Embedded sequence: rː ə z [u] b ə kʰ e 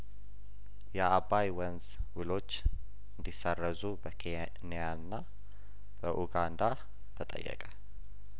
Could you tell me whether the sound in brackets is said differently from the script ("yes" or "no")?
no